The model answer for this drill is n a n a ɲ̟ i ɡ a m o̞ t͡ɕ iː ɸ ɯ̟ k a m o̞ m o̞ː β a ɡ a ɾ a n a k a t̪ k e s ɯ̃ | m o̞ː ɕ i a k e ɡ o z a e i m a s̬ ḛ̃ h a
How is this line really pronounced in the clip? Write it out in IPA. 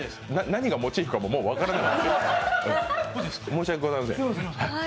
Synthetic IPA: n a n a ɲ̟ i ɡ a m o̞ t͡ɕ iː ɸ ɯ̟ k a m o̞ m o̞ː β a k a ɾ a n a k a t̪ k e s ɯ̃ | m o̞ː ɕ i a k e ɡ o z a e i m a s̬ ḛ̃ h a

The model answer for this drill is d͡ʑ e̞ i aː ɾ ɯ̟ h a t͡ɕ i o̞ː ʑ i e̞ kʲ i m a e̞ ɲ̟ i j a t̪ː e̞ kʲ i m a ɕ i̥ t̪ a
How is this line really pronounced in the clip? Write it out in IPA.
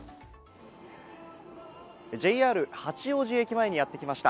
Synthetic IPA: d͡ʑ e̞ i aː ɾ ɯ̟ h a t͡ɕ i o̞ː ʑ i e̞ kʲ i m a e̞ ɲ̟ i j a t̪ː e̞ kʲ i m a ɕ i̥ t̪ a

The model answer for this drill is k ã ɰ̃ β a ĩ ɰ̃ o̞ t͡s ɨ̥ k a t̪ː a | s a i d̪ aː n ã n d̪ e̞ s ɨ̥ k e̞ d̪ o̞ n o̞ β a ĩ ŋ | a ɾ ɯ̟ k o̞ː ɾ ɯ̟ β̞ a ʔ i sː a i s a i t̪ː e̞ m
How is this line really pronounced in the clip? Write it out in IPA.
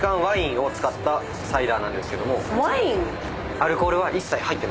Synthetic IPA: k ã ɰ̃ β a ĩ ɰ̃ o̞ t͡s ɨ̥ k a t̪ː a | s a i d̪ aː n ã n d̪ e̞ s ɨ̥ k e̞ d̪ o̞ m o̞ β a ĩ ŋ | a ɾ ɯ̟ k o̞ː ɾ ɯ̟ β̞ a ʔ i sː a i h a i t̪ː e̞ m

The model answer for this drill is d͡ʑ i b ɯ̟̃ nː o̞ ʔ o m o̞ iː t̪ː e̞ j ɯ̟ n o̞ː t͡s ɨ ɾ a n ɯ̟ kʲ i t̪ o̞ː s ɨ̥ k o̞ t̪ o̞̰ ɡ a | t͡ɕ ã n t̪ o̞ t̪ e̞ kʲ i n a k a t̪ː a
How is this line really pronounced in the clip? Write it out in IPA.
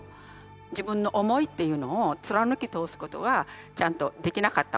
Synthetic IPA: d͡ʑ i b ɯ̟̃ nː o̞ ʔ o m o̞ i t̪ː e̞ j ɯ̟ n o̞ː t͡s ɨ ɾ a n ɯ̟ kʲ i t̪ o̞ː s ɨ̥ k o̞ t̪ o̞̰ ɡ a | t͡ɕ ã n t̪ o̞ d̪ e̞ kʲ i n a k a t̪ː a

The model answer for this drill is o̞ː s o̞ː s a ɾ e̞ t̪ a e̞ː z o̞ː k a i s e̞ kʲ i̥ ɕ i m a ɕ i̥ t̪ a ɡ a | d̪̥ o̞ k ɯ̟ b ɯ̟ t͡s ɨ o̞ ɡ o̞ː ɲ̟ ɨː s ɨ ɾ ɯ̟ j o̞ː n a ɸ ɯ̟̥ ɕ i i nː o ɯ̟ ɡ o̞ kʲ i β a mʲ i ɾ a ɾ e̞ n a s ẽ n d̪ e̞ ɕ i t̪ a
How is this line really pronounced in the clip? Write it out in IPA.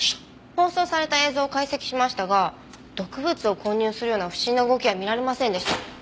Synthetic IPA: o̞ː s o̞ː s a ɾ e̞ t̪ a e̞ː z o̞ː k a i s e̞ kʲ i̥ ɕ i m a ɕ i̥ t̪ a ɡ a | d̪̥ o̞ k ɯ̟ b ɯ̟ t͡s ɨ o̞ k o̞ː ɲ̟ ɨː s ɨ ɾ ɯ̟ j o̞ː n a ɸ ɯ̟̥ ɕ i i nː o ɯ̟ ɡ o̞ kʲ i β a mʲ i ɾ a ɾ e̞ m a s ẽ n d̪ e̞ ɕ i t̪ a

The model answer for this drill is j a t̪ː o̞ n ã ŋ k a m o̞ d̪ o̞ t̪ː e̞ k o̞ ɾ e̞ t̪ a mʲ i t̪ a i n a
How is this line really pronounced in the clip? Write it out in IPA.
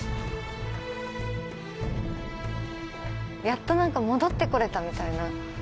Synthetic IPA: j a t̪ː o̞ n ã ŋ k a m o̞ d̪ o̞ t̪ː e̞ k o̞ ɾ e̞ t̪ a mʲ i t̪ a i n a

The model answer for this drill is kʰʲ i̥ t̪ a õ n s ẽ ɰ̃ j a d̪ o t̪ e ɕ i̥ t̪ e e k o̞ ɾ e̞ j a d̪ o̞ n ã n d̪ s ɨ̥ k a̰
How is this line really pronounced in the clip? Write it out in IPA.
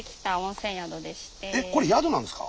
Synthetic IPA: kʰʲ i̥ t̪ a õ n s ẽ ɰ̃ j a d̪ o d̪ e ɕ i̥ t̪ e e k o̞ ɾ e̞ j a d̪ o̞ n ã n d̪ s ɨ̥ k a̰

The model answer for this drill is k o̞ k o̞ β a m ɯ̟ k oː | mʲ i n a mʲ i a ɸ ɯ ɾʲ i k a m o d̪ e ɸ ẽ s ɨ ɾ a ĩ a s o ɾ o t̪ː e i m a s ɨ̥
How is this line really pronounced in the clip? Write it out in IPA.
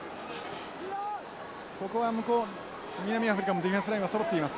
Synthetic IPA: k o̞ k o̞ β a m ɯ̟ k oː | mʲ i n a mʲ i a ɸ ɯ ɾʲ i k a m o d̪ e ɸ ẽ s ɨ ɾ a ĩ a s o ɾ o t̪ː e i m a s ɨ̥

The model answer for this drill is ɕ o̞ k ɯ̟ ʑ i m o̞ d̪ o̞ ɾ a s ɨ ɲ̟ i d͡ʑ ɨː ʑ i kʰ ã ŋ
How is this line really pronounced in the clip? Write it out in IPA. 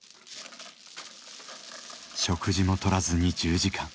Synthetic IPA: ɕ o̞ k ɯ̟ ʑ i m o̞ t̪ o̞ ɾ a z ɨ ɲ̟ i d͡ʑ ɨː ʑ i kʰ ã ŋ

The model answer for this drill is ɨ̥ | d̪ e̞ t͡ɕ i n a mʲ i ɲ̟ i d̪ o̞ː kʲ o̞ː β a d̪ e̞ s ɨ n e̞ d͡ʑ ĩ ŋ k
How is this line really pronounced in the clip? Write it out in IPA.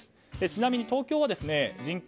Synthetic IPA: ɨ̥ | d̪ e̞ t͡ɕ i n a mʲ i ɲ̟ i t̪ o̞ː kʲ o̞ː β a d̪ e̞ s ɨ n e̞ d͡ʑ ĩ ŋ k

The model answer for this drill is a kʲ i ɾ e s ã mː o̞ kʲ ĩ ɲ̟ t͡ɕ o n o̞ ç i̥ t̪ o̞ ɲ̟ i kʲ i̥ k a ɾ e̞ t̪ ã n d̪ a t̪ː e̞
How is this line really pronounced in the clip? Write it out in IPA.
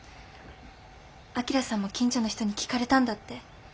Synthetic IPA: a kʲ i ɾ a s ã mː o̞ kʲ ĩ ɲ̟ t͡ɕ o n o̞ ç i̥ t̪ o̞ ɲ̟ i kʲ i̥ k a ɾ e̞ t̪ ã n d̪ a t̪ː e̞

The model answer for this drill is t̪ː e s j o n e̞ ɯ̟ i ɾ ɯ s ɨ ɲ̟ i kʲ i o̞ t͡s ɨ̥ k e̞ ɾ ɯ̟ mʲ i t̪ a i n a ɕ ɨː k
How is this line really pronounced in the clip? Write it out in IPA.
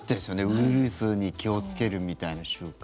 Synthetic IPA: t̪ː e s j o n e̞ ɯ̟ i ɾ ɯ s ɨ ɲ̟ i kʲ i o̞ t͡s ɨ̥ k e̞ ɾ ɯ̟ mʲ i t̪ a i n a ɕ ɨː k

